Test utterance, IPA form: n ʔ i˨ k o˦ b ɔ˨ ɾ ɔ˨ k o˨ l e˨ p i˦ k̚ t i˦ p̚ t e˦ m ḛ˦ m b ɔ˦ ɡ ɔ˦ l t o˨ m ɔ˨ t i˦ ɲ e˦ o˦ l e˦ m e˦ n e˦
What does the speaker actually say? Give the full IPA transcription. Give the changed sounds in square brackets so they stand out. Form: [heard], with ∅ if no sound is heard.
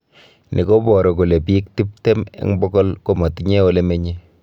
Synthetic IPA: n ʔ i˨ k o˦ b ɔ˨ ɾ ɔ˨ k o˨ l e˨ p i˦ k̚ t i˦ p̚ t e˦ m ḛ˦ [ŋ] b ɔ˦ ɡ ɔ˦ l [k] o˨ m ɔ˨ t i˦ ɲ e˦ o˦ l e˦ m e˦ [ɲ] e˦